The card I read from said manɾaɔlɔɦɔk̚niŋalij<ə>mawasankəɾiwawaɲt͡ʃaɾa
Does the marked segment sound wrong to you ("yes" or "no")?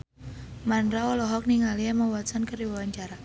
yes